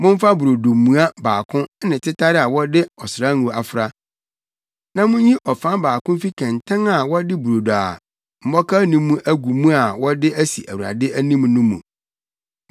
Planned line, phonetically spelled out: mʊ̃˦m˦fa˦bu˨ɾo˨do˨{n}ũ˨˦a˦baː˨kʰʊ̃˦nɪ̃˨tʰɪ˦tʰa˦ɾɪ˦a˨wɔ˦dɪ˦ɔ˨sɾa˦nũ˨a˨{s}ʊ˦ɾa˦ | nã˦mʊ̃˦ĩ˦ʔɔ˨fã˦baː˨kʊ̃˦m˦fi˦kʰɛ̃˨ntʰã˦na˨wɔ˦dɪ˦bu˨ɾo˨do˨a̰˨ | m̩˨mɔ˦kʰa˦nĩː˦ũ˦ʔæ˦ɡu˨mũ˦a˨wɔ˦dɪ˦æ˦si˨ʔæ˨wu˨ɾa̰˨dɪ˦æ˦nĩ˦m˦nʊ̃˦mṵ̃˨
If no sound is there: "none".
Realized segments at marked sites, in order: m, f

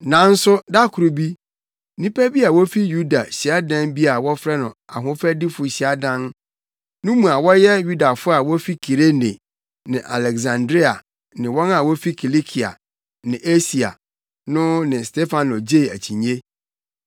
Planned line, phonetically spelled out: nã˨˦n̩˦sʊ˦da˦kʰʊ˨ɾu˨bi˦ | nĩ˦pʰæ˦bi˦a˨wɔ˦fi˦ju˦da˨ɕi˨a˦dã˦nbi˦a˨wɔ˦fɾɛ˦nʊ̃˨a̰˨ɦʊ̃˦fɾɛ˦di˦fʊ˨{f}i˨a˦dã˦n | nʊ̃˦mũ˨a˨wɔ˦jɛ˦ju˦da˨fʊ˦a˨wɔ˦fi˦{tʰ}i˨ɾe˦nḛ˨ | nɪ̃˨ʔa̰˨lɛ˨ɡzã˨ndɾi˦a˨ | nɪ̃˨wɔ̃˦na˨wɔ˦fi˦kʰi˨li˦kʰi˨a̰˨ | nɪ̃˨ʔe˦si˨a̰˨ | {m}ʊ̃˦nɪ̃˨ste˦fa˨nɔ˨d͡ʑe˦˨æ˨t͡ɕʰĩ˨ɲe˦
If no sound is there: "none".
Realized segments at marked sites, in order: ɕ, kʰ, n

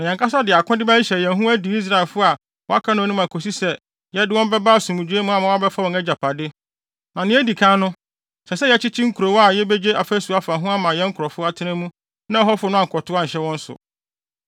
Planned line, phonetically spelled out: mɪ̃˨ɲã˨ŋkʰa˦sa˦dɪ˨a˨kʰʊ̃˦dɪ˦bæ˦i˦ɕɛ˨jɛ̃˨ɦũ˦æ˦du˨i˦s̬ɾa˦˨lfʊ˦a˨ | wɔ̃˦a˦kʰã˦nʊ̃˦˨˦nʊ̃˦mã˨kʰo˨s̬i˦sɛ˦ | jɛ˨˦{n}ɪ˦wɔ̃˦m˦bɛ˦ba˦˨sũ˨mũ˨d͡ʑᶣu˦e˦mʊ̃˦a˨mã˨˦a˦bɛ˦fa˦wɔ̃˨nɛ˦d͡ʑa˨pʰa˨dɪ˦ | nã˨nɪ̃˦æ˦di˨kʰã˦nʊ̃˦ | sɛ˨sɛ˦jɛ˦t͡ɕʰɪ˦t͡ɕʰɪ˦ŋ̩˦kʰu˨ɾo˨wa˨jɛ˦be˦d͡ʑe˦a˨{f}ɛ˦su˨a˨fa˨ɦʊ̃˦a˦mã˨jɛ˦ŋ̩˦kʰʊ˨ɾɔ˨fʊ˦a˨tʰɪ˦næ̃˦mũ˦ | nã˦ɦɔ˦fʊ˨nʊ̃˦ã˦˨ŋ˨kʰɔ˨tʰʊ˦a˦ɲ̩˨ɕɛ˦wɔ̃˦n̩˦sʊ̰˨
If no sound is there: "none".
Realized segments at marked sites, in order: d, f

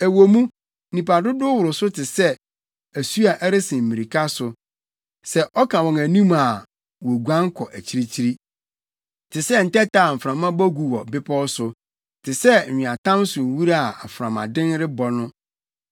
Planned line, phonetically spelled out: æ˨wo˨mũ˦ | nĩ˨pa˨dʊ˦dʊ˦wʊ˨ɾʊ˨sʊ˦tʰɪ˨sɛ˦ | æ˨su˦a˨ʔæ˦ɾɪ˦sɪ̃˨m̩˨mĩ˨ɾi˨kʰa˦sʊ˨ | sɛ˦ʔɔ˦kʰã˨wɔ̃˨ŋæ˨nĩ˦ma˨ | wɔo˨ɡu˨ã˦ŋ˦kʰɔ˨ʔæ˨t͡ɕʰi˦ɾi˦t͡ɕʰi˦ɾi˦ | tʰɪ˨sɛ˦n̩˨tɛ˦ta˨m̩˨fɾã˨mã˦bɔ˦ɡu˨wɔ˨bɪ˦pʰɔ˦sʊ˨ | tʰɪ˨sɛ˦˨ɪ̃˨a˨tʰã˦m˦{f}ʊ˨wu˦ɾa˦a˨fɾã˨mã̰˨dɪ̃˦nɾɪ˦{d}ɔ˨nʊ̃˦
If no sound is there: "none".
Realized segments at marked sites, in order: s, b

